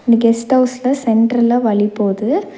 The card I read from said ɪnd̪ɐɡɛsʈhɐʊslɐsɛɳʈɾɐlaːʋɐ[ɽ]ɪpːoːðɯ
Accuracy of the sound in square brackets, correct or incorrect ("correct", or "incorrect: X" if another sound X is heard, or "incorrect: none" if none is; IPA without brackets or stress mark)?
incorrect: ɭ